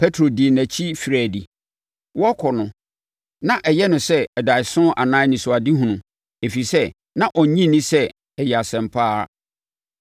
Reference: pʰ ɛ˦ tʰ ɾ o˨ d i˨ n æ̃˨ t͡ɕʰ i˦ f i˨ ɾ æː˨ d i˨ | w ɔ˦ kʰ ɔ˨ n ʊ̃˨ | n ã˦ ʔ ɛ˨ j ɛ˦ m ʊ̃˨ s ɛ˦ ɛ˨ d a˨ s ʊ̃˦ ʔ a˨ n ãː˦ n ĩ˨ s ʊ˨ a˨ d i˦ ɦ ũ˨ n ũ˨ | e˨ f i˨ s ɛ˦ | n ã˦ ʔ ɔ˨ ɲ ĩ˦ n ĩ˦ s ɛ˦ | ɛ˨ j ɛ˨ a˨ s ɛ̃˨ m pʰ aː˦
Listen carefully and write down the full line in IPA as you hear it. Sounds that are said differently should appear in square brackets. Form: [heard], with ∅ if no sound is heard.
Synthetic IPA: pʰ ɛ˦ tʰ ɾ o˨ d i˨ n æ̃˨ t͡ɕʰ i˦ f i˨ ɾ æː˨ d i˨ | w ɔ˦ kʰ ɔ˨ n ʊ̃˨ | n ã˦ ʔ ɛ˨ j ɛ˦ [n] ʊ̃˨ s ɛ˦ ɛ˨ d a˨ s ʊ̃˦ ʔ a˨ n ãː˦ n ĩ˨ s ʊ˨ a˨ d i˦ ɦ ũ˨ n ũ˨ | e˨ f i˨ s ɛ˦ | n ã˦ ʔ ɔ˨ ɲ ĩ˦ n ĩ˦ s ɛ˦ | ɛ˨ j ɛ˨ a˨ s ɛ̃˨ m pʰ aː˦